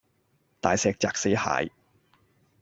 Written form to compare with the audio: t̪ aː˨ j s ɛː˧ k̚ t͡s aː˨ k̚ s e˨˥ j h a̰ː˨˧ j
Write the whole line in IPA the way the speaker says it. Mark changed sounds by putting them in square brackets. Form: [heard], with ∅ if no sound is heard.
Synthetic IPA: t̪ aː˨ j s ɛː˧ k̚ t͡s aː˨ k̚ s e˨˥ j h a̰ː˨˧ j